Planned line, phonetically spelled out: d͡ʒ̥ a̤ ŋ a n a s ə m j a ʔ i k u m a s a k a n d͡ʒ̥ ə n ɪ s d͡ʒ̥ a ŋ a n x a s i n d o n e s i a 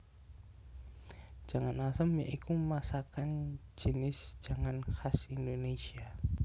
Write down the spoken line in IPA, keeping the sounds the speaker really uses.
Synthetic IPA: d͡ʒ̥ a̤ ŋ a n a s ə m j a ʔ i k u m a s a k a n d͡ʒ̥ ə n ɪ s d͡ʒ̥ a ŋ a n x a s i n d o n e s i a